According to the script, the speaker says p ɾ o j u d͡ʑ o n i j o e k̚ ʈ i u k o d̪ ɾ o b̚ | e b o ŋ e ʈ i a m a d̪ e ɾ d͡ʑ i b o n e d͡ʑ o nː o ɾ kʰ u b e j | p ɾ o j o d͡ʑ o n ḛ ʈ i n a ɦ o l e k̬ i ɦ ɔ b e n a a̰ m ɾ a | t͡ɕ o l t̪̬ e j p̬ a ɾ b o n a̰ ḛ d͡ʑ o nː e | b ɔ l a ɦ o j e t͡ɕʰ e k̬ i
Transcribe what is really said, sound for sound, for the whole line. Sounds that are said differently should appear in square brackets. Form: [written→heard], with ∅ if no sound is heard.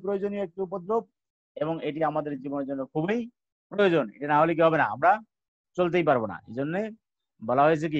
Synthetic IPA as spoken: p ɾ o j [u→o] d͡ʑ o n i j o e k̚ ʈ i u [k→p] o d̪ ɾ o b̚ | e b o ŋ e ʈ i a m a d̪ e ɾ d͡ʑ i b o n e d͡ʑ o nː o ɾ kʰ u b e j | p ɾ o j o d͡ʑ o n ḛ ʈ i n a ɦ o l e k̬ i ɦ ɔ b e n a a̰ m ɾ a | t͡ɕ o l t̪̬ e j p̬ a ɾ b o n a̰ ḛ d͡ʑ o nː e | b ɔ l a ɦ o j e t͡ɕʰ e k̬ i